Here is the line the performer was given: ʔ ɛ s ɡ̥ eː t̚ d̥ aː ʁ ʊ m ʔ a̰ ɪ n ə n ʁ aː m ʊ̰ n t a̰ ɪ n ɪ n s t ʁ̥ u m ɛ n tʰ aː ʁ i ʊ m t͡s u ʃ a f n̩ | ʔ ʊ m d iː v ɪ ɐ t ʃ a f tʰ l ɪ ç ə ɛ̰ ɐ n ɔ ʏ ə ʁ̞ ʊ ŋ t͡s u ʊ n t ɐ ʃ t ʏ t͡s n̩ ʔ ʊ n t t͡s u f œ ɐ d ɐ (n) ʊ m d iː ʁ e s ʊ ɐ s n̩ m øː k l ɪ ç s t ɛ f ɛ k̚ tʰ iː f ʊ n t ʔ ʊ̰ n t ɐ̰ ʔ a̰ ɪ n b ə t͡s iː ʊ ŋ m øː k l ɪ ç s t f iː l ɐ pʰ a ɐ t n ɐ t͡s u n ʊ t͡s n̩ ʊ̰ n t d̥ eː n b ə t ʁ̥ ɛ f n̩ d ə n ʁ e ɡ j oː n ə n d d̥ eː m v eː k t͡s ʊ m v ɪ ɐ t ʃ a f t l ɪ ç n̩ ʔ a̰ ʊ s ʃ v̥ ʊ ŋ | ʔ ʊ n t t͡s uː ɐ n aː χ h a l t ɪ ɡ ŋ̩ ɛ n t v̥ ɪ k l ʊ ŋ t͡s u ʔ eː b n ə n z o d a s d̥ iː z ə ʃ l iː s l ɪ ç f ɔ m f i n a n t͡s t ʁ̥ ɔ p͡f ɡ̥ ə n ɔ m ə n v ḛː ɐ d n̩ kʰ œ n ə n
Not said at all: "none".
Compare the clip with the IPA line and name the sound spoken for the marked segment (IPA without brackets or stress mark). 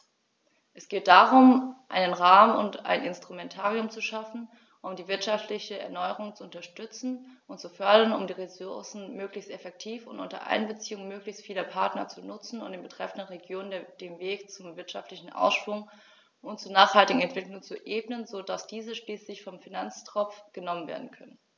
n